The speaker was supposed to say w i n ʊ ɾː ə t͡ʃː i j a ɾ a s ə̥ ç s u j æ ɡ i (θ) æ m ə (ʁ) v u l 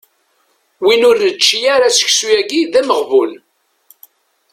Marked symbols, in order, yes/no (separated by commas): no, yes